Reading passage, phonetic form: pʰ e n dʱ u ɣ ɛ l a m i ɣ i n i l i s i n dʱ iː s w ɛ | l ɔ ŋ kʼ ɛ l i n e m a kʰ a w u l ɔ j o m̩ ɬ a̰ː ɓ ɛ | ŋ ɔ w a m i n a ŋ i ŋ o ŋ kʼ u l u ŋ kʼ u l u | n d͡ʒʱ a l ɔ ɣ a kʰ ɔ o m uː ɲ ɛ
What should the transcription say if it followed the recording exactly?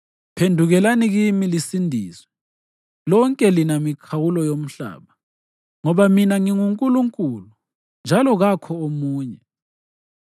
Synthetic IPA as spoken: pʰ e n dʱ u ɣ ɛ l a n i ɣ i m i l i s i n dʱ iː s w ɛ | l ɔ ŋ kʼ ɛ l i n a m i kʰ a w u l ɔ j o m̩ ɬ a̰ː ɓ a | ŋ ɔ β a m i n a ŋ i ŋ u ŋ kʼ u l u ŋ kʼ u l u | n d͡ʒʱ a l ɔ ɣ a kʰ ɔ o m uː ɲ ɛ